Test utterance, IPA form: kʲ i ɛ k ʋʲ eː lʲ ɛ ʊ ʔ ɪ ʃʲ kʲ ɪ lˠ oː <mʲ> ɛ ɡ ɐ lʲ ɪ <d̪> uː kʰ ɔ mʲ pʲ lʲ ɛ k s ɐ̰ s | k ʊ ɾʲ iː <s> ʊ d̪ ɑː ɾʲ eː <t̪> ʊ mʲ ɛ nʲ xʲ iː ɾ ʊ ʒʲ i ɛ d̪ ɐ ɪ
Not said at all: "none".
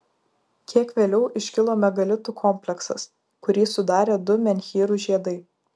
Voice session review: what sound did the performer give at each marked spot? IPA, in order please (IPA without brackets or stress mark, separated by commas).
mʲ, t̪, s, d̪